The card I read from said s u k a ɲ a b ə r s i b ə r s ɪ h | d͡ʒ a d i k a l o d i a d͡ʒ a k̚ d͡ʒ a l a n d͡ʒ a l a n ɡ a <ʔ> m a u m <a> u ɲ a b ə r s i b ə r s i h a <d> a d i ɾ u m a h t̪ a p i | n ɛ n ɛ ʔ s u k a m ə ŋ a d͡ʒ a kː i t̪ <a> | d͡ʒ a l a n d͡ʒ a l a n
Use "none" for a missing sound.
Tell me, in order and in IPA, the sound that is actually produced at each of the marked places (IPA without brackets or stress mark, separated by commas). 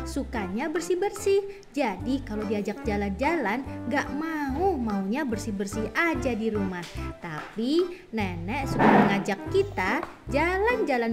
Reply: ʔ, a, d͡ʒ, a